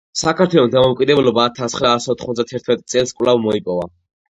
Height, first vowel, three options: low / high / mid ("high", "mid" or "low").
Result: low